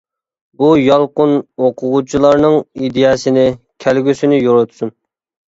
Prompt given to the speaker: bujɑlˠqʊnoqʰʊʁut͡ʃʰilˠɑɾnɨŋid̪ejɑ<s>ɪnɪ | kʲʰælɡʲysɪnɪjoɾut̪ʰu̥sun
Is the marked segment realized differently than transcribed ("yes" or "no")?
no